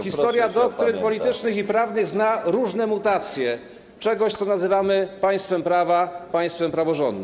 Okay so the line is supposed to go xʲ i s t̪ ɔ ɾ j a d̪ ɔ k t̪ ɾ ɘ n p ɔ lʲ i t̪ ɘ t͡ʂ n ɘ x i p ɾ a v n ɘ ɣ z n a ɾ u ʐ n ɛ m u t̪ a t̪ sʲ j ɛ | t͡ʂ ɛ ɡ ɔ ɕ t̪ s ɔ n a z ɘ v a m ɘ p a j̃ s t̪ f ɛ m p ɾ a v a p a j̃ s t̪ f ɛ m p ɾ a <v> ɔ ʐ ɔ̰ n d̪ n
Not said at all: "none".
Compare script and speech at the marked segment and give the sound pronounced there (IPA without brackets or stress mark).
v